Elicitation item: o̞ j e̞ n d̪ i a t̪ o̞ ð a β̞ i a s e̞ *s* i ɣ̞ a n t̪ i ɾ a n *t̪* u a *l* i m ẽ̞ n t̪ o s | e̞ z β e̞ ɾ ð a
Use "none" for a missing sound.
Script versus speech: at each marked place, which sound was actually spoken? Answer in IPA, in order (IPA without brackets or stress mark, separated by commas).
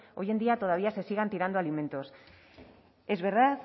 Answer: s, d̪, l